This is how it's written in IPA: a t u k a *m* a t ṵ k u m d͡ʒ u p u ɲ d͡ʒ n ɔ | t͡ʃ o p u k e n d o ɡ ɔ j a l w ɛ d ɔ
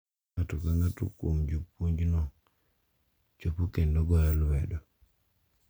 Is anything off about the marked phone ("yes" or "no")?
yes